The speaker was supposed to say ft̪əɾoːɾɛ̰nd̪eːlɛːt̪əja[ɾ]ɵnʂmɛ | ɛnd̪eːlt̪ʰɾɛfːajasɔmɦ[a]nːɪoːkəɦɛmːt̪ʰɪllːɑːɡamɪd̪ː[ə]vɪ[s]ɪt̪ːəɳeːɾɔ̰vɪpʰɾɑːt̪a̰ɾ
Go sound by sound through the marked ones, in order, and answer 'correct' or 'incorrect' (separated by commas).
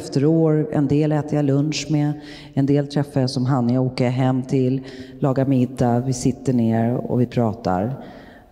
incorrect, correct, incorrect, correct